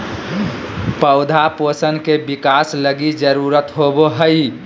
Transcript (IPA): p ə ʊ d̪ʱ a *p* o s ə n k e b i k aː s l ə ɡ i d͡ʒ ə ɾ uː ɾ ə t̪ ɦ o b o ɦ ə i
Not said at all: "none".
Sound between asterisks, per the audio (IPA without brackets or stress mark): p